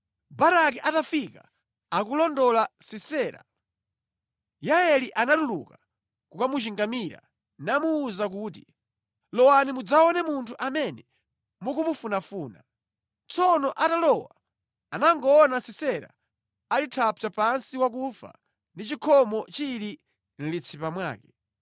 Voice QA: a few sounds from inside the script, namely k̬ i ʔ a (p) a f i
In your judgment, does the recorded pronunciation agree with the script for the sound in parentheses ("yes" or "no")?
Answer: no